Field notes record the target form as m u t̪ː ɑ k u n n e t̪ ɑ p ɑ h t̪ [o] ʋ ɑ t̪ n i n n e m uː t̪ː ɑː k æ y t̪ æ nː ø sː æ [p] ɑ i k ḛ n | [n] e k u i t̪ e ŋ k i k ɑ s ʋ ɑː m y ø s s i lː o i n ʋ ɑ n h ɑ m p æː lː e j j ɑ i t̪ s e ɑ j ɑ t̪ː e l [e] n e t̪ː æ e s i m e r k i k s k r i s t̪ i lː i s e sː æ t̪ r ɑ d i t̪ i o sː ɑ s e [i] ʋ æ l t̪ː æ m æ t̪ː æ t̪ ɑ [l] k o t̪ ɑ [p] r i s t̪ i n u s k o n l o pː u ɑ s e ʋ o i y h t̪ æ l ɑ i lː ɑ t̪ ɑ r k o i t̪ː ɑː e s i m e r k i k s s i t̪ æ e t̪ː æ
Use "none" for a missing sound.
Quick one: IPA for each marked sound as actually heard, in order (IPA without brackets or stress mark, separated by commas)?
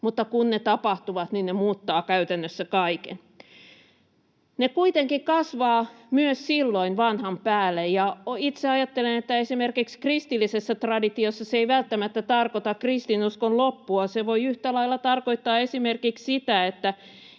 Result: u, k, n, e, i, r, k